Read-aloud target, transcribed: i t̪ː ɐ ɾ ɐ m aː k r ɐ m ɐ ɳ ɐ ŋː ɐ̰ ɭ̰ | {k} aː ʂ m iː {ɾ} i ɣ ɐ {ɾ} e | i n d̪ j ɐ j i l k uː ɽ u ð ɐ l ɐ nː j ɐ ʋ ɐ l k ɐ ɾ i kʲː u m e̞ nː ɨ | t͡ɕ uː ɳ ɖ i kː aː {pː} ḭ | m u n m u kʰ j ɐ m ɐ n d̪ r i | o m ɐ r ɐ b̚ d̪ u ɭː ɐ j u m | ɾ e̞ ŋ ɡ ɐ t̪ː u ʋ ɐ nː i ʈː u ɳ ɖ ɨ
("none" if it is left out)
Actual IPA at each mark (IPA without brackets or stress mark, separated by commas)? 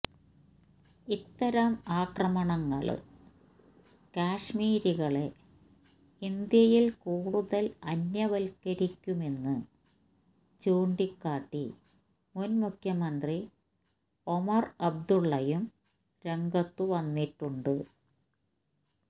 k, ɾ, ɭ, ʈː